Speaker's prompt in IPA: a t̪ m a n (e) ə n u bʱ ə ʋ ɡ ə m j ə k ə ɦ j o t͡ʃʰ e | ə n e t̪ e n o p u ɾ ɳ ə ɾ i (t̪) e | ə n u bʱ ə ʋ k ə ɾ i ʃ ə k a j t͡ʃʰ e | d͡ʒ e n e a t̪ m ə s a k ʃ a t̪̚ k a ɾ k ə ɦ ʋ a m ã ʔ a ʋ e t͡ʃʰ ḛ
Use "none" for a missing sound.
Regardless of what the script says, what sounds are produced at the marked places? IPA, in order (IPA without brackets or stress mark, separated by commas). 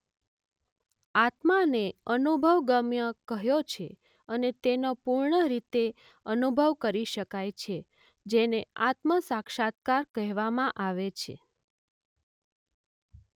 e, t̪